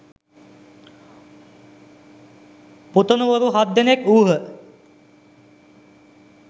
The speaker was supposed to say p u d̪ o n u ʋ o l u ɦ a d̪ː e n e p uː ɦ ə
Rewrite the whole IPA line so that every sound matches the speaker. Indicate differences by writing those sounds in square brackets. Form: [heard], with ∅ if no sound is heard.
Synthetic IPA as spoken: p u [t̪] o n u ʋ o [ɾ] u ɦ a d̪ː e n e [k] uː ɦ ə